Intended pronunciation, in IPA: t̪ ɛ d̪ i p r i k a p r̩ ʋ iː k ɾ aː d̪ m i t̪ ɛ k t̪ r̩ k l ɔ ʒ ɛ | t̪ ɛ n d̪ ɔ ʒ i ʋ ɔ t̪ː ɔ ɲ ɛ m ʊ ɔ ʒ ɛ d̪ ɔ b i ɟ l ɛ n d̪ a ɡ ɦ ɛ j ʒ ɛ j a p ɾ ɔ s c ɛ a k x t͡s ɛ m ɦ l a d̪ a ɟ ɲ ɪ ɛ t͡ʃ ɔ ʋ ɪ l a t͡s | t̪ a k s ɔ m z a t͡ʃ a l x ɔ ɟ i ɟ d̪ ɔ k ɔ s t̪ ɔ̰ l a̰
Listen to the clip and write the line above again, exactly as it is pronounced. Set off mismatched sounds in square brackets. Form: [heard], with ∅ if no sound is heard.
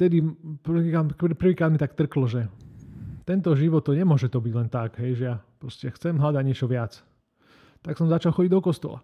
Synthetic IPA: t̪ ɛ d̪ i p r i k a p r̩ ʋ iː k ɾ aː d̪ m i t̪ [a] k t̪ r̩ k l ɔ ʒ ɛ | t̪ ɛ n [t̪] ɔ ʒ i ʋ ɔ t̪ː ɔ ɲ ɛ m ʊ ɔ ʒ ɛ [t̪] ɔ b i ɟ l ɛ n [t̪] a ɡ ɦ ɛ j ʒ ɛ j a p ɾ ɔ s c ɛ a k x t͡s ɛ m ɦ l a d̪ a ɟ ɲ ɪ ɛ t͡ʃ ɔ ʋ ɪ [∅] a t͡s | t̪ a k s ɔ m z a t͡ʃ a l x ɔ ɟ i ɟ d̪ ɔ k ɔ s t̪ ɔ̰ l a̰